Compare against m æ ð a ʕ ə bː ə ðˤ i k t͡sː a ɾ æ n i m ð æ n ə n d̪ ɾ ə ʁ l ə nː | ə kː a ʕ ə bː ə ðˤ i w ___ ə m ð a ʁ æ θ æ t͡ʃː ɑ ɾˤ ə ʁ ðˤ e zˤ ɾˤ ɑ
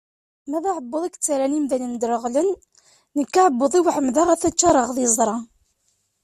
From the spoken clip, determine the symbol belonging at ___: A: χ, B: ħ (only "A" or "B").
B